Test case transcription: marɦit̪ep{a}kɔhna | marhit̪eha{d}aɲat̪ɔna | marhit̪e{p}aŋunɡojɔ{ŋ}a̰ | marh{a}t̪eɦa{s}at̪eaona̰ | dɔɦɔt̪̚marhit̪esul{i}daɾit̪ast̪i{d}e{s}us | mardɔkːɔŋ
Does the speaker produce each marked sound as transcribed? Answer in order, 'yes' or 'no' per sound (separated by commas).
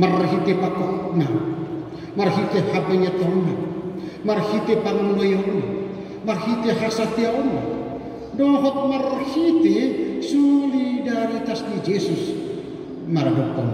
yes, no, yes, no, no, yes, yes, no, yes